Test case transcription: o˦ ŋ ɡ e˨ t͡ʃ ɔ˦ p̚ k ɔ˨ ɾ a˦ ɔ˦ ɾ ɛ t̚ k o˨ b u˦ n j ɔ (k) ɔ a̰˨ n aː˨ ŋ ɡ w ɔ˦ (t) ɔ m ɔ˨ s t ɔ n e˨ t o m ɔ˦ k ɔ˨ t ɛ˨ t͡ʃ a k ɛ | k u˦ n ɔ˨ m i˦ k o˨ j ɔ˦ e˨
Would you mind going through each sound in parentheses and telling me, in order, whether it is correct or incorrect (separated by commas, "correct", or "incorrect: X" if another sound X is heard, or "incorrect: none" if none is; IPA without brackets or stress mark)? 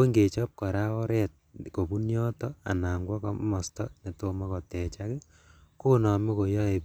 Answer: incorrect: t, incorrect: k